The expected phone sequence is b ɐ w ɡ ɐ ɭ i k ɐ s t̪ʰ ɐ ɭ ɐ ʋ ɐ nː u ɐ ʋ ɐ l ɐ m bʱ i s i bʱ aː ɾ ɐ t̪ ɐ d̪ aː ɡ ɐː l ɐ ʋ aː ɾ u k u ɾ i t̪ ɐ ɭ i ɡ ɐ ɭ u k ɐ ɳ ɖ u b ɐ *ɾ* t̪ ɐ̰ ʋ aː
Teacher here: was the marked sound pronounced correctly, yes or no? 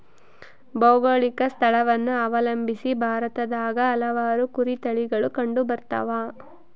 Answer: yes